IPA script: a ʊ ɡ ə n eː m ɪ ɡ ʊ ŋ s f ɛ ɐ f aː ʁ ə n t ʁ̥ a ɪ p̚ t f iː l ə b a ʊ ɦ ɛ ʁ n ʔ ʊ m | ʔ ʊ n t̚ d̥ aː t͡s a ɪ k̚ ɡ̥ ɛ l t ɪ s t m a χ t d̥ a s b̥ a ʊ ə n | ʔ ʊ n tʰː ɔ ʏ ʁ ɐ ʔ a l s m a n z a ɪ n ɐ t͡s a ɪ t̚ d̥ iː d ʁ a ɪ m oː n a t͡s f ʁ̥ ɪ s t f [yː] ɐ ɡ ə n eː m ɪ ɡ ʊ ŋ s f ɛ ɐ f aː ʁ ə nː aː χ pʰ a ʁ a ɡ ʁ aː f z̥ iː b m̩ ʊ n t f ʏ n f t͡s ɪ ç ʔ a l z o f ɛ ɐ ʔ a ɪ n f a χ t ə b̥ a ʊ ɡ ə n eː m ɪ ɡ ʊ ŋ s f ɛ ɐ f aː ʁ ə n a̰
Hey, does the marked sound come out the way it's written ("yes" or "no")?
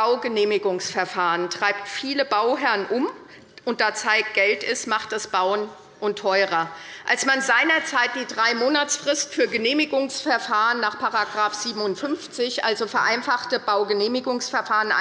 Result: yes